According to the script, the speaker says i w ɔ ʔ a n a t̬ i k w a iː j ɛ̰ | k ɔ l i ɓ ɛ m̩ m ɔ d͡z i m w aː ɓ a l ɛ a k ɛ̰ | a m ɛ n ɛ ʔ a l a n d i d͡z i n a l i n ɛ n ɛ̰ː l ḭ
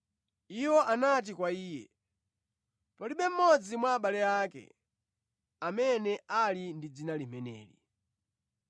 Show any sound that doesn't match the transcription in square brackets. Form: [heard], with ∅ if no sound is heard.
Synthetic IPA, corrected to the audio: i w ɔ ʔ a n a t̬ i k w a iː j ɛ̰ | [p] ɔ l i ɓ ɛ m̩ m ɔ d͡z i m w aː ɓ a l ɛ a k ɛ̰ | a m ɛ n ɛ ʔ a l [i] n d i d͡z i n a l i [m] ɛ n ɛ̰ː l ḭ